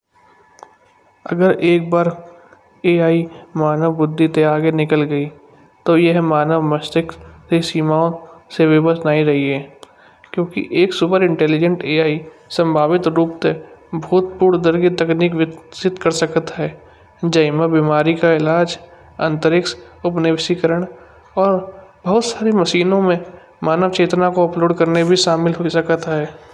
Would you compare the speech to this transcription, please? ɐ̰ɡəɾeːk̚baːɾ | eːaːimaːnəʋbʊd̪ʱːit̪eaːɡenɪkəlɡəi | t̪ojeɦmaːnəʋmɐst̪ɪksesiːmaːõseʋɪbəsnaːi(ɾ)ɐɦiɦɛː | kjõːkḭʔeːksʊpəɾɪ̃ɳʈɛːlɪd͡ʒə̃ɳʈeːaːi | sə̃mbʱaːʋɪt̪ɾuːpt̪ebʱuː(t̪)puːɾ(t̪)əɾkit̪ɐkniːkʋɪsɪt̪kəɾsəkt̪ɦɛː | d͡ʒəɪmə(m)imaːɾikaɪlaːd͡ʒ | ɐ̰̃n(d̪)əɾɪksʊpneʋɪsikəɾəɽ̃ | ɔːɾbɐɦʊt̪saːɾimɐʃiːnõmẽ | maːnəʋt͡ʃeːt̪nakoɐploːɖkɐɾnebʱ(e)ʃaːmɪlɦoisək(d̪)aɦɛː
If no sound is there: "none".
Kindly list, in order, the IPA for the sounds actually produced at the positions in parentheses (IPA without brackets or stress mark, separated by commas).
ɾ, t̪, d̪, b, t̪, i, t̪